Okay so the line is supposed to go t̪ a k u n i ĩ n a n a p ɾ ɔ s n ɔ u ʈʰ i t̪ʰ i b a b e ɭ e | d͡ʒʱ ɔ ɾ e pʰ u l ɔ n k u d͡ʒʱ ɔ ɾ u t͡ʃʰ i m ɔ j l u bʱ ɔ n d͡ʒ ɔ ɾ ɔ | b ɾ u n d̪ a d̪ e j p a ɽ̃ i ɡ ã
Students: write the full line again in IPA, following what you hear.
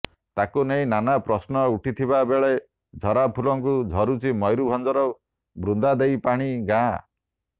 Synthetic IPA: t̪ a k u n e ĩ n a n a p ɾ ɔ s n ɔ u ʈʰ i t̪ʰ i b a b e ɭ e | d͡ʒʱ ɔ ɾ a pʰ u l ɔ ŋ k u d͡ʒʱ ɔ ɾ u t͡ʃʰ i m ɔ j ɾ u bʱ ɔ n d͡ʒ ɔ ɾ ɔ | b ɾ u n d̪ a d̪ e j p a ɽ̃ i ɡ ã